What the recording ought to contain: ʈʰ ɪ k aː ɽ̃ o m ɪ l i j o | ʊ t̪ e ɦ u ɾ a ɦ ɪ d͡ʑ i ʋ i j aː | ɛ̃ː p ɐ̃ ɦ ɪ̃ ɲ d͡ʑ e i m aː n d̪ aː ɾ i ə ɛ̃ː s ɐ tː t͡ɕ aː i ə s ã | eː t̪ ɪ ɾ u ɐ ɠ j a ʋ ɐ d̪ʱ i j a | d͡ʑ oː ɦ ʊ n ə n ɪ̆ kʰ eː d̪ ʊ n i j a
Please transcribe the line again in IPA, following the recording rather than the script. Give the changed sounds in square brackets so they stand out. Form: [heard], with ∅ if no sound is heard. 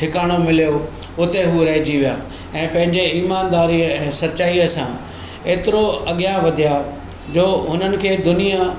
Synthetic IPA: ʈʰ ɪ k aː ɽ̃ o m ɪ l i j o | ʊ t̪ e ɦ u ɾ [ɐ] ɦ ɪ d͡ʑ i ʋ i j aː | ɛ̃ː p ɐ̃ ɦ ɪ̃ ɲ d͡ʑ e [iː] m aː n d̪ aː ɾ i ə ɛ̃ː s ɐ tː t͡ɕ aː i ə s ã | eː t̪ ɪ ɾ [o] ɐ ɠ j a ʋ ɐ d̪ʱ i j a | d͡ʑ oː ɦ ʊ n ə n ɪ̆ kʰ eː d̪ ʊ n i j a